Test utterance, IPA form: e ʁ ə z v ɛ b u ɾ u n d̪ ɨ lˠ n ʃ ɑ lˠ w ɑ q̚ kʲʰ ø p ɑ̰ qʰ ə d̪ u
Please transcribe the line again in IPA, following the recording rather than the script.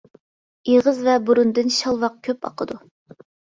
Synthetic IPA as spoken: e ʁ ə z v ɛ b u ɾ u n d̪ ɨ n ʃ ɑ lˠ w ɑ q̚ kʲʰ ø p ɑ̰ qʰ ə d̪ u